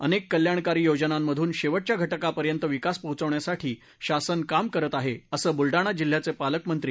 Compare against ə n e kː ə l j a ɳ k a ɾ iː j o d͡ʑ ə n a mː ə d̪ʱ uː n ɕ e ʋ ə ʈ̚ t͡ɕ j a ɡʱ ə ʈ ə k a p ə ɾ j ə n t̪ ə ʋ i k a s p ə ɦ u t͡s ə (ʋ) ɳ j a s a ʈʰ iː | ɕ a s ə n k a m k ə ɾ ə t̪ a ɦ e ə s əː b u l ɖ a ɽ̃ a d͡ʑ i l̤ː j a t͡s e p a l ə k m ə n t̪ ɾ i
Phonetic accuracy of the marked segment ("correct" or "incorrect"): correct